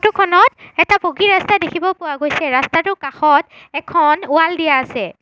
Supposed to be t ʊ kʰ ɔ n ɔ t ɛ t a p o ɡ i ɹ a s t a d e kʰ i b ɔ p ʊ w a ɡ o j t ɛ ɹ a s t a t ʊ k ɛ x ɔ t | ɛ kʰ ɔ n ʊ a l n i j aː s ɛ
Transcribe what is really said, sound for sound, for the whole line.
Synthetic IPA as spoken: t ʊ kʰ ɔ n ɔ t ɛ t a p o ɡ i ɹ a s t a d e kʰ i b ɔ p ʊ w a ɡ o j s ɛ ɹ a s t a t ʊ k a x ɔ t | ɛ kʰ ɔ n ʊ a l d i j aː s ɛ

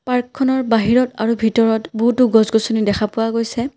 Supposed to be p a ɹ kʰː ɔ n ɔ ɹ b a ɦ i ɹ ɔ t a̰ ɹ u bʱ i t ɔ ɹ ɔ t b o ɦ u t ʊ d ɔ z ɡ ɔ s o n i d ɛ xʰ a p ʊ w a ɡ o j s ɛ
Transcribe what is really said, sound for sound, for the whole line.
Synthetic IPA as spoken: p a ɹ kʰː ɔ n ɔ ɹ b a ɦ i ɹ ɔ t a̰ ɹ u bʱ i t ɔ ɹ ɔ t b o ɦ u t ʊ ɡ ɔ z ɡ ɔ s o n i d ɛ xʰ a p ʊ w a ɡ o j s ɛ

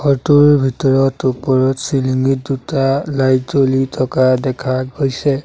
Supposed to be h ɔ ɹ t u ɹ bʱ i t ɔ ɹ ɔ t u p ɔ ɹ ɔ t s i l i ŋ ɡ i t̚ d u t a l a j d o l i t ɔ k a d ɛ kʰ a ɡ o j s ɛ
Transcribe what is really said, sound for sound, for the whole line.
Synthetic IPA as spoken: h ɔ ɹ t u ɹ bʱ i t ɔ ɹ ɔ t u p ɔ ɹ ɔ t s i l i ŋ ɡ i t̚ d u t a l a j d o l i tʰ ɔ k a d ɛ kʰ a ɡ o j s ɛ

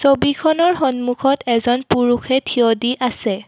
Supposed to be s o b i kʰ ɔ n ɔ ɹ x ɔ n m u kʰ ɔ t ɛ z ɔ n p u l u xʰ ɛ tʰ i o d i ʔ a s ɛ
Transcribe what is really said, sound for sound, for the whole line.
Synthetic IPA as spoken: s o b i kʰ ɔ n ɔ ɹ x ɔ n m u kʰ ɔ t ɛ z ɔ n p u ɹ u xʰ ɛ tʰ i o d i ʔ a s ɛ

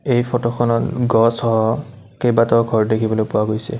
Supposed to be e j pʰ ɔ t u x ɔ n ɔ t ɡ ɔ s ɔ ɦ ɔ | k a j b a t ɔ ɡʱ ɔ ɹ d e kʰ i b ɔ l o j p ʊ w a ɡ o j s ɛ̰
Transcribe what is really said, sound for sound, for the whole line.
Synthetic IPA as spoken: e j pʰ ɔ t ɔ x ɔ n ɔ t ɡ ɔ s ɔ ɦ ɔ | k e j b a t ɔ ɡʱ ɔ ɹ d e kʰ i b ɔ l o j p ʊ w a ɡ o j s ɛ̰

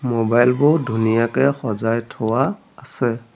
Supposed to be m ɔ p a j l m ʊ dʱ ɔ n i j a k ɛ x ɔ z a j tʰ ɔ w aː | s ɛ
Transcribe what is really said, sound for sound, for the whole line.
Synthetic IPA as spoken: m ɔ b a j l b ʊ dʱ u n i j a k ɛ x ɔ z a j tʰ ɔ w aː | s ɛ

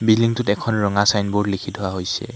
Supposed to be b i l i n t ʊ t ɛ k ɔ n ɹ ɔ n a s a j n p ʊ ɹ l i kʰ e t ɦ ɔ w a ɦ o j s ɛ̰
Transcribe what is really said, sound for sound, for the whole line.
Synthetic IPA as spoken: b i l i ŋ t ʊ t ɛ kʰ ɔ n ɹ ɔ ŋ a s a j n b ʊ ɹ l i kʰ i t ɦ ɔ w a ɦ o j s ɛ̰

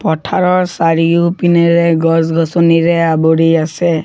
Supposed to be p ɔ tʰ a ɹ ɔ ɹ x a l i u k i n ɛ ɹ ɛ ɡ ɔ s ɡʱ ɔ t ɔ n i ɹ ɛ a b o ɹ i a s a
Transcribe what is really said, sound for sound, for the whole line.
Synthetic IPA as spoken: p ɔ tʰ a ɹ ɔ ɹ s a ɹ i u p i n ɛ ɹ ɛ ɡ ɔ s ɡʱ ɔ s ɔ n i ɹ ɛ a b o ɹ i a s ɛ

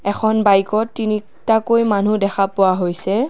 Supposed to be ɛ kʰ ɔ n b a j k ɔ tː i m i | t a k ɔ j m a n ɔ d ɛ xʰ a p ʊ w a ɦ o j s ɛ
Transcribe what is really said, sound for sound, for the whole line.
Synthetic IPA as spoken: ɛ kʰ ɔ n b a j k ɔ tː i n i | t a k o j m a n u d ɛ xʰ a p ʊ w a ɦ o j s ɛ

